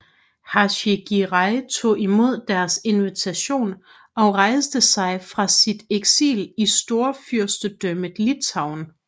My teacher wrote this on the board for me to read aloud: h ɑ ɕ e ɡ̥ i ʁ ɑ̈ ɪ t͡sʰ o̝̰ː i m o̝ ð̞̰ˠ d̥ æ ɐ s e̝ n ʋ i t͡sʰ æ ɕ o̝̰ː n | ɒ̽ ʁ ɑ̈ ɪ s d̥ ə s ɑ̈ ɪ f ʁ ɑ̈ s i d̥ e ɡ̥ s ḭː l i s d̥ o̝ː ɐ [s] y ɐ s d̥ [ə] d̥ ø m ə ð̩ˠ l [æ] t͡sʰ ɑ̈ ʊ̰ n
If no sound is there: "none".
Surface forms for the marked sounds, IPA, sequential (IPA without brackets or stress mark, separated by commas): f, ə, i